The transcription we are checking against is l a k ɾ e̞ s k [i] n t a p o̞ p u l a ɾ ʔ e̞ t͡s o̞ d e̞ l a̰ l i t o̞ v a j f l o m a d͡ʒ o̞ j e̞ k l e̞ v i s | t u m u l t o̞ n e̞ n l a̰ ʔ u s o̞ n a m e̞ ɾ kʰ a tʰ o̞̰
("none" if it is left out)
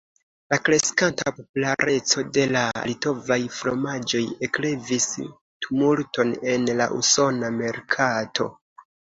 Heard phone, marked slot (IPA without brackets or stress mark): a